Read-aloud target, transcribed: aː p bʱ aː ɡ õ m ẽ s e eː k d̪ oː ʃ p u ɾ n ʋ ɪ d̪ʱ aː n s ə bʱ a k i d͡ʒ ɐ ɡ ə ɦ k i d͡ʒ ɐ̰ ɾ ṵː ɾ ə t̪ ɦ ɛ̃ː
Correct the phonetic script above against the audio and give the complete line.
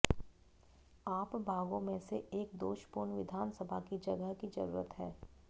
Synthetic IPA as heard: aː p bʱ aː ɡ õ m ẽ s e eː k d̪ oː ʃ p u ɾ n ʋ ɪ d̪ʱ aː n s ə bʱ a k i d͡ʒ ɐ ɡ ə ɦ k i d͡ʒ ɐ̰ ɾ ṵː ɾ ə t̪ ɦ ɛː